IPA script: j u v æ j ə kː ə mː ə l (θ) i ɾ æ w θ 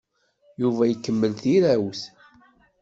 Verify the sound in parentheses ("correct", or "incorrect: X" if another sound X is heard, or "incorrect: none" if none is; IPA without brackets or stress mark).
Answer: correct